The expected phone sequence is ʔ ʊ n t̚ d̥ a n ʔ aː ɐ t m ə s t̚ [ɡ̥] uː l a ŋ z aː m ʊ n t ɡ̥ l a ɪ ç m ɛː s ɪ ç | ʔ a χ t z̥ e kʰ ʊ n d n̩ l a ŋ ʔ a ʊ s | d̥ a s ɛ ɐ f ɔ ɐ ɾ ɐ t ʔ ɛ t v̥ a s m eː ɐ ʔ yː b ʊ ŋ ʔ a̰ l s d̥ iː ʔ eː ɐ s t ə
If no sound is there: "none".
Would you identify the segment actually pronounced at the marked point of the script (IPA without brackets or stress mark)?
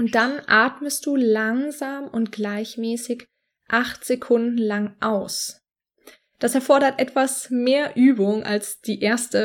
d̥